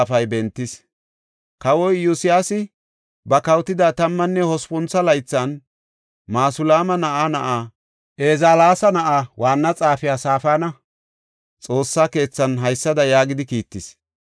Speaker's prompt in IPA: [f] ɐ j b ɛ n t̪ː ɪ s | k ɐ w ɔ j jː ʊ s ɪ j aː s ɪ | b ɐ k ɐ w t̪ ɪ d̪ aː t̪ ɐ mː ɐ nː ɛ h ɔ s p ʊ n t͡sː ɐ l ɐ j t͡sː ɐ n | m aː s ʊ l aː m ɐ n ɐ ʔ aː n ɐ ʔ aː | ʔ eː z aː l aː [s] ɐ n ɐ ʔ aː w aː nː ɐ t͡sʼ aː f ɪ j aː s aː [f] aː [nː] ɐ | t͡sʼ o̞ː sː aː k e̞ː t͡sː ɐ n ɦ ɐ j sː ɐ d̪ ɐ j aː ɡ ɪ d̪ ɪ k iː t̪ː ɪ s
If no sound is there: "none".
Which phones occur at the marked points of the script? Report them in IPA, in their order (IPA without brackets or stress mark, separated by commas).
f, s, f, n